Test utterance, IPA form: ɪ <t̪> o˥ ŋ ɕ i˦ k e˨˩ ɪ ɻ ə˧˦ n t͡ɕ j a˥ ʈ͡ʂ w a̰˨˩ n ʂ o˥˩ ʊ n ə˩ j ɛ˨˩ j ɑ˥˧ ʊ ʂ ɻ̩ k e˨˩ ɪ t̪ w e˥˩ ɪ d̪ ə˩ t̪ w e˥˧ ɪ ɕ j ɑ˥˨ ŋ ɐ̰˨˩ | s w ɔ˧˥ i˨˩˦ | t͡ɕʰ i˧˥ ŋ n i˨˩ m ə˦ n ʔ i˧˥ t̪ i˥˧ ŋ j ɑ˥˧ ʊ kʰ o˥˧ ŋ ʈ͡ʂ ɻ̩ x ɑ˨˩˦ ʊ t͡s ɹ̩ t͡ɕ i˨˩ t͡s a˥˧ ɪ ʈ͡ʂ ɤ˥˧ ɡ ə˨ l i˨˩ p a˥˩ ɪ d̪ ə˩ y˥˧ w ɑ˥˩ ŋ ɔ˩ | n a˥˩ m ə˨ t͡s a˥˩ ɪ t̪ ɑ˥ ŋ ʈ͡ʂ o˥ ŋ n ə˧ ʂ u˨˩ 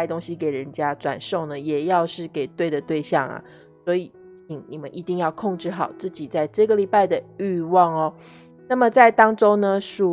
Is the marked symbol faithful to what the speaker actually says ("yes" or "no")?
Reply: yes